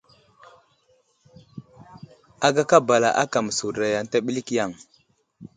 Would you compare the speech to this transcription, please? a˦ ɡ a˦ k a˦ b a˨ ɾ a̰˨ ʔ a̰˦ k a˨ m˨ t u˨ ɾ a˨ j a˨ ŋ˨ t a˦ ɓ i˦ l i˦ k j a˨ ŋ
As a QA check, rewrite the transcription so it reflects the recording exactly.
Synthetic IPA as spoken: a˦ ɡ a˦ k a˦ b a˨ l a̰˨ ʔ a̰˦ k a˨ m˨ s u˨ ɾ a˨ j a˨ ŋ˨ t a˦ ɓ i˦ l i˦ k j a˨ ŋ